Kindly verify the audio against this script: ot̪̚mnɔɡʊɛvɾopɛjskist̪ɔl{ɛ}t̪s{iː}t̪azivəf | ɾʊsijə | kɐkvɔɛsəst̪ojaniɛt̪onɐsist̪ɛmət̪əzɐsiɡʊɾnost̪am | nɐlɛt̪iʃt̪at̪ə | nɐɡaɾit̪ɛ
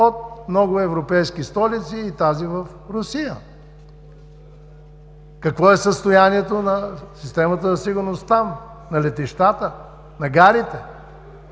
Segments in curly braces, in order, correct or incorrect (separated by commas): incorrect, correct